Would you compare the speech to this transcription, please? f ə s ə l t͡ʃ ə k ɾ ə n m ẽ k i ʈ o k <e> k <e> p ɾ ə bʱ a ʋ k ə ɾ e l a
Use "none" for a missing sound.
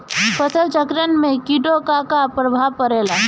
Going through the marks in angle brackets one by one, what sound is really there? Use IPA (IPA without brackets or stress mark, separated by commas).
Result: a, a